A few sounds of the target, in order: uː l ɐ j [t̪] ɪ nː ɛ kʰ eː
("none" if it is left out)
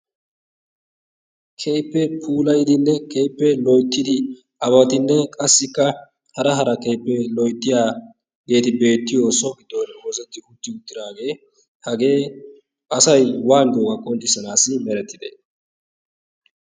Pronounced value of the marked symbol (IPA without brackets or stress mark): d̪